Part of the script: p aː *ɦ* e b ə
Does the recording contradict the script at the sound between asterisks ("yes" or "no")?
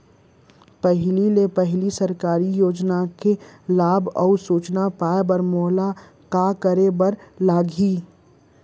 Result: yes